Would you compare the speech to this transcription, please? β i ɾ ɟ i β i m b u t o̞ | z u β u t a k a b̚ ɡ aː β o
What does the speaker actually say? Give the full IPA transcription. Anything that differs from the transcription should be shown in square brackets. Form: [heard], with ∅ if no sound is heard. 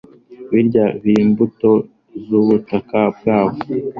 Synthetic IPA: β i ɾ ɟ [a] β i m b u t o̞ | z u β u t a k a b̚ ɡ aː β o